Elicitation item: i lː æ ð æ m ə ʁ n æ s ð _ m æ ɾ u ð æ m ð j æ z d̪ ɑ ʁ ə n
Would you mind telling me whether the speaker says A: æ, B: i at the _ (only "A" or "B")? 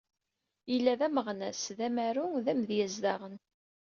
A